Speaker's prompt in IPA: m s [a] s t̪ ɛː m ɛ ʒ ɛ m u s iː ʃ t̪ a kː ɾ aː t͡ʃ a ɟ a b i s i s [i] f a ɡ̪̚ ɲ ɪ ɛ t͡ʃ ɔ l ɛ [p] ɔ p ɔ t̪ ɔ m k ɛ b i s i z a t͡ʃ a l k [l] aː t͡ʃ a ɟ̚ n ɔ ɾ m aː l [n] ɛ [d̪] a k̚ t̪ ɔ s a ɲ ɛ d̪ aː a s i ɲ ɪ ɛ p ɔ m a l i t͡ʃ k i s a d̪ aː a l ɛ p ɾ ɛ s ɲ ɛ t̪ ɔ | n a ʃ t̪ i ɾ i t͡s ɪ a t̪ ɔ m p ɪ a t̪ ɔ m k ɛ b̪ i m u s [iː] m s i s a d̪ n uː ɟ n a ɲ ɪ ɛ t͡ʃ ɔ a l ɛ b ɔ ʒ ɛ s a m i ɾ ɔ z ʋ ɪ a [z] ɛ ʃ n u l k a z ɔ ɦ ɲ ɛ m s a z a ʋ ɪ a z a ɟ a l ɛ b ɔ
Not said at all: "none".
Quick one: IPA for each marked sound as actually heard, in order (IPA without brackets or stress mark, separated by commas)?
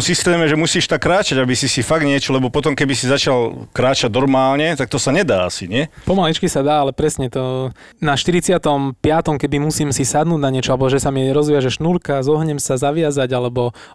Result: i, i, b, ɾ, ɲ, t̪, iː, ʒ